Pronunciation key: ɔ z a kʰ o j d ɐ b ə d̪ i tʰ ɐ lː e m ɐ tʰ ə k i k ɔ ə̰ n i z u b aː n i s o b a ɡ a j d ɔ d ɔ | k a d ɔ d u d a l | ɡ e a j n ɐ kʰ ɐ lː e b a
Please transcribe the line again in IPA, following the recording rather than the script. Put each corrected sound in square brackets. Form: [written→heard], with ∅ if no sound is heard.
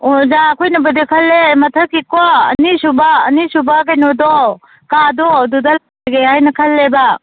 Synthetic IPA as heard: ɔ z a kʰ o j [d→n] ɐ b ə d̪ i [tʰ→kʰ] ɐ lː e m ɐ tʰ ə k i k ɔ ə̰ n i [z→s] u b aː n i s [o→u] b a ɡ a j [d→n] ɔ d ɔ | k a d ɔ d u d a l | ɡ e a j n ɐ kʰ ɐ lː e b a